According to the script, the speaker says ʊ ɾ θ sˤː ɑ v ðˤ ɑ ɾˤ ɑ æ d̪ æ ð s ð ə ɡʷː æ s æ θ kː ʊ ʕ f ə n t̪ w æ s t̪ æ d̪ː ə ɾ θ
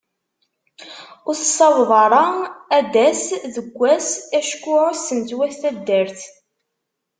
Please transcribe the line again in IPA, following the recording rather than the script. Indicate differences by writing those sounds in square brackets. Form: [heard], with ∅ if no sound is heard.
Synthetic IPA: ʊ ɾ θ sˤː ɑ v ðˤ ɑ ɾˤ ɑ æ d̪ æ [∅] s ð ə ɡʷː æ s æ [ʃ] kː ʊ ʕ [s] ə n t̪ w æ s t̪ æ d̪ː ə ɾ θ